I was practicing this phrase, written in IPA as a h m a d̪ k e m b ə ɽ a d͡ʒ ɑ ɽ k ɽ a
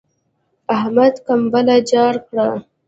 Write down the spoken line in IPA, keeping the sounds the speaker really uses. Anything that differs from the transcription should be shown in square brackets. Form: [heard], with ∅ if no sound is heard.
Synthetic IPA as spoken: a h m a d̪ k [a] m b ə [l] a d͡ʒ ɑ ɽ k ɽ a

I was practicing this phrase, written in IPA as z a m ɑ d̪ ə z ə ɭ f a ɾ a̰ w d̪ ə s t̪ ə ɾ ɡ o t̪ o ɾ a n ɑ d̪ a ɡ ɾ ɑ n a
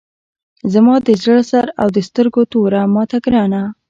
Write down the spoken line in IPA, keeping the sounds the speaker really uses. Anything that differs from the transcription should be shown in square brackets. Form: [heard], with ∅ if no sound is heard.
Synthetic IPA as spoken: z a m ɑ d̪ ə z ə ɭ [s] a ɾ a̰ w d̪ ə s t̪ ə ɾ ɡ o t̪ o ɾ a [m] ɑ [t̪] a ɡ ɾ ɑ n a

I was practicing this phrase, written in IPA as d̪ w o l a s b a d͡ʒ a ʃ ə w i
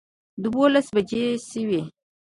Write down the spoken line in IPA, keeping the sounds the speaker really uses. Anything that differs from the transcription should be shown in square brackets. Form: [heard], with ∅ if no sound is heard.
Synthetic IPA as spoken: d̪ w o l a s b a d͡ʒ [e] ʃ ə w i

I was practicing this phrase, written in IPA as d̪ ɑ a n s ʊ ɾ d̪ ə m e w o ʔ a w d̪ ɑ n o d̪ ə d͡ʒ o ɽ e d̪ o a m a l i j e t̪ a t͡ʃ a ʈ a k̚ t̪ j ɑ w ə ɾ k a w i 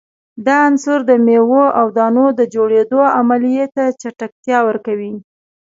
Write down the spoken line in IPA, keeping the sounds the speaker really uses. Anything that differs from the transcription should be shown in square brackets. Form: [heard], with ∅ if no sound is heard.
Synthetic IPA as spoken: d̪ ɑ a n s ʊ ɾ d̪ ə m e w o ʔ a w d̪ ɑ n o d̪ ə d͡ʒ o ɽ e d̪ o a m a l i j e t̪ a t͡ʃ a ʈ a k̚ t̪ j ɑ w ə ɾ k a w i

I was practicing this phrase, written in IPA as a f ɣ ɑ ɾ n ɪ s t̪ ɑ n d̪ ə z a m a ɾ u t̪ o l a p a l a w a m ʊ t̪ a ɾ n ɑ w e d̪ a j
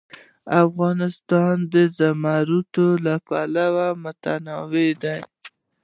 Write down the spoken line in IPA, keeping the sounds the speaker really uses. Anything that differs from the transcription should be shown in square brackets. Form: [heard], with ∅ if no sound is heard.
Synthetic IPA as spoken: a f ɣ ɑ [∅] n ɪ s t̪ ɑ n d̪ ə z a m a ɾ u t̪ o l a p a l a w a m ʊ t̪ a [∅] n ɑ w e d̪ a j

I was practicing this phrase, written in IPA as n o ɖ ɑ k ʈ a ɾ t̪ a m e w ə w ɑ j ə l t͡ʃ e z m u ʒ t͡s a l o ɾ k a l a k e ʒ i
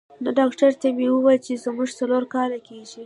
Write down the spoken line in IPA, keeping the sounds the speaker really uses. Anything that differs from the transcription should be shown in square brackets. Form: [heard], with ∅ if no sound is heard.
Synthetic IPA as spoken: n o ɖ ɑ k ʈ a ɾ t̪ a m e w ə w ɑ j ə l t͡ʃ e z m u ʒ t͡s a l o ɾ k [ɑ] l a k e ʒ i

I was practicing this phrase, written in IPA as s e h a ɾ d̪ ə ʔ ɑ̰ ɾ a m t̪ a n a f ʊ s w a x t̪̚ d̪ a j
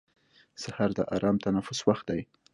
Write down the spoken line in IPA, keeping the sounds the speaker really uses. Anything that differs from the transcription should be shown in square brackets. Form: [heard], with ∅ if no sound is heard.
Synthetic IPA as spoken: s [a] h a ɾ d̪ ə ʔ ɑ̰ ɾ [ɑ] m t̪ a n a f ʊ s w a x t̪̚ d̪ a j

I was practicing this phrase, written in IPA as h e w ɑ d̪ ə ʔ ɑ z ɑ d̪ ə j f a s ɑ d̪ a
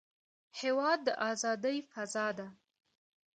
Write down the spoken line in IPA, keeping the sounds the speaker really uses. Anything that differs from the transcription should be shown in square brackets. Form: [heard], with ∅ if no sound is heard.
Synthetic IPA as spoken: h e w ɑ [d̪ː] ə ʔ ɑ z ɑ d̪ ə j f a [z] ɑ d̪ a

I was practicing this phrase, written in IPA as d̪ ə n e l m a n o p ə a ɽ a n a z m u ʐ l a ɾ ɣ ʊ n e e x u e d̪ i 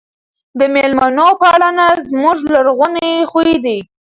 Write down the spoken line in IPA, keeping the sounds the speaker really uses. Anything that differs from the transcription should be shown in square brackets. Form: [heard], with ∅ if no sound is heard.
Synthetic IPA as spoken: d̪ ə [m] e l m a n o p ə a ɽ a n a z m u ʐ l a ɾ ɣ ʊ n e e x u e d̪ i

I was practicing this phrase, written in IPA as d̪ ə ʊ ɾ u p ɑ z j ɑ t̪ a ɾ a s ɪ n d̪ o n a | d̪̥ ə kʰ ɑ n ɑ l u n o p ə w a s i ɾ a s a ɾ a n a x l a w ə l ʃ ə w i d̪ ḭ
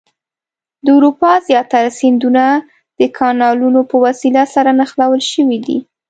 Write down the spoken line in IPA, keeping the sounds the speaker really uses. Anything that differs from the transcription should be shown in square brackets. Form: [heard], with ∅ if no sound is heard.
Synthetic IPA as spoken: d̪ ə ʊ ɾ u p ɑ z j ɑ t̪ a ɾ a s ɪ n d̪ [u] n a | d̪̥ ə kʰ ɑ n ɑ l u n o p ə w a s i [l] a s a ɾ a n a x l a w ə l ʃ ə w i d̪ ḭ

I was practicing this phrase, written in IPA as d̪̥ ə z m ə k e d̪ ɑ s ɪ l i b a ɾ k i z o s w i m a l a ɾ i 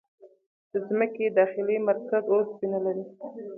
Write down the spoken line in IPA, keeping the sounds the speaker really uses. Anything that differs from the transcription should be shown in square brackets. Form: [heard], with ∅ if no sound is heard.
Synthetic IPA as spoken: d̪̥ ə z m ə k e d̪ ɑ [x] ɪ l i [m] a ɾ k [a] z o s [b] i [n] a l a ɾ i

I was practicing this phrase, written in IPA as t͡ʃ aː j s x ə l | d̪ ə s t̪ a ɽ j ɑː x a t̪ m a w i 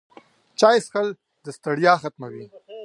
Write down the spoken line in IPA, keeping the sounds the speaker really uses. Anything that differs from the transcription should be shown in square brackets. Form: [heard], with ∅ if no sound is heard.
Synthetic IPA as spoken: t͡ʃ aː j s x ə l | d̪ ə s t̪ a ɽ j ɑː x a t̪ m a w i

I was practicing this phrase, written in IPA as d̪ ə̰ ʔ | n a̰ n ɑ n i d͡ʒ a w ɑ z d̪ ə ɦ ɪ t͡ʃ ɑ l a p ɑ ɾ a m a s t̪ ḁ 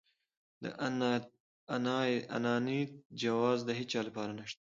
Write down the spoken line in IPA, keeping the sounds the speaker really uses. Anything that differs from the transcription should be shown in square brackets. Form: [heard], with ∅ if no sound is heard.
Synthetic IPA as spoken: d̪ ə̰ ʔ | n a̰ n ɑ n i d͡ʒ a w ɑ z d̪ ə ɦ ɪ t͡ʃ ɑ l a p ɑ ɾ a [n] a [ʃ] t̪ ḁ

